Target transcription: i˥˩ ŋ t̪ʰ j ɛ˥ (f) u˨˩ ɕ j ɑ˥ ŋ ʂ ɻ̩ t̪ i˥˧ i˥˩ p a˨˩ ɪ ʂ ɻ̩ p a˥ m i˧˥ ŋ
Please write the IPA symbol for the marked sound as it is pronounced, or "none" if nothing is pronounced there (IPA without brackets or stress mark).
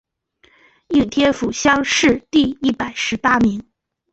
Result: f